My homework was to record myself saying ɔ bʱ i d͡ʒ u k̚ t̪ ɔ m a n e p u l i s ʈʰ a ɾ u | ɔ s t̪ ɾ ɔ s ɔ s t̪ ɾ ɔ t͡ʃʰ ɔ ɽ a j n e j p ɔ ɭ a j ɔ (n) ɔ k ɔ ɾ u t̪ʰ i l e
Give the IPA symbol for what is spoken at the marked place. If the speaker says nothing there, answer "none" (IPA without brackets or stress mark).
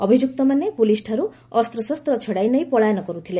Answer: n